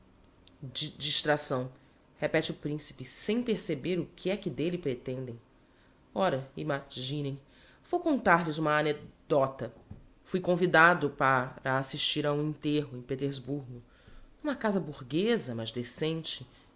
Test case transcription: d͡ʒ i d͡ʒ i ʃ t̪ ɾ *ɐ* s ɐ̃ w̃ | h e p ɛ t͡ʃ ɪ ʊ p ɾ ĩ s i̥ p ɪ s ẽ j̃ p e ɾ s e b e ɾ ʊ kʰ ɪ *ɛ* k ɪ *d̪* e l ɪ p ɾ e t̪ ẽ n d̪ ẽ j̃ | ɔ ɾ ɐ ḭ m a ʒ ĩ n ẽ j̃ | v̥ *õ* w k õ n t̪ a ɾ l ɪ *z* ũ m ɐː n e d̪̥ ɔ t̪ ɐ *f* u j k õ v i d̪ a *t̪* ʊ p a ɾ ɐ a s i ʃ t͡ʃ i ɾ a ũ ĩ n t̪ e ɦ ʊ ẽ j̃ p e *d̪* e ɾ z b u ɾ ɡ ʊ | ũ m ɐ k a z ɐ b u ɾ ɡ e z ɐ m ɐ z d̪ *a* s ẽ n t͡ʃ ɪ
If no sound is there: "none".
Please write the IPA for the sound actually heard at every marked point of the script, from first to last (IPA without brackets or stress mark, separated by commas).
a, ɛ, d̪, o, z, f, d̪, t̪, e